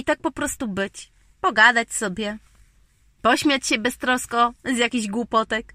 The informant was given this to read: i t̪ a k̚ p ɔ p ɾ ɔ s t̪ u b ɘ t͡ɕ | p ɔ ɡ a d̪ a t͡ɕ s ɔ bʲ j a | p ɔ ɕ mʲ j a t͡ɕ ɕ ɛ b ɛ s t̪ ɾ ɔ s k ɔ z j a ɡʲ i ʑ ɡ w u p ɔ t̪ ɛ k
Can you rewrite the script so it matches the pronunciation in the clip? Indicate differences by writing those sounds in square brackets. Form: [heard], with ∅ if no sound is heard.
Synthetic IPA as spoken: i t̪ a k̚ p ɔ p ɾ ɔ s t̪ u b ɘ t͡ɕ | p ɔ ɡ a d̪ a t͡ɕ s ɔ bʲ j [ɛ] | p ɔ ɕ mʲ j a t͡ɕ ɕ ɛ b ɛ s t̪ ɾ ɔ s k ɔ z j a [kʲ] i ʑ ɡ w u p ɔ t̪ ɛ k